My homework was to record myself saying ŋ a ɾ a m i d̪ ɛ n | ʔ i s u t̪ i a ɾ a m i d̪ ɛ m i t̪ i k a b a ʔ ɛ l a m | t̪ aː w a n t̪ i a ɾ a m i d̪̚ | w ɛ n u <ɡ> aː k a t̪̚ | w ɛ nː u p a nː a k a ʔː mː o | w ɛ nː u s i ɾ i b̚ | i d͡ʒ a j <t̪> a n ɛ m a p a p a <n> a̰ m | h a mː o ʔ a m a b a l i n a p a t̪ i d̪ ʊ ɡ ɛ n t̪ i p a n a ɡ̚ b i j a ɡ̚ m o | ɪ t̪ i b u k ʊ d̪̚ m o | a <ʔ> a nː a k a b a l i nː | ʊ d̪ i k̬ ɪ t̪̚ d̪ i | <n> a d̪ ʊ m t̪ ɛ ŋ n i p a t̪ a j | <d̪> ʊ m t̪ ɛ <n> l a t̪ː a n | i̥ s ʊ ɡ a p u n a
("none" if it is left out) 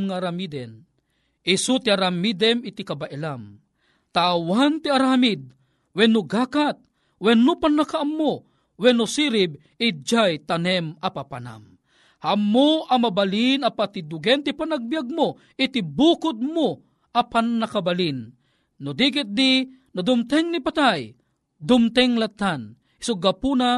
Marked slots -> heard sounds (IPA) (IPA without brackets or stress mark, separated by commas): ɡ, t̪, n, p, n, d̪, ŋ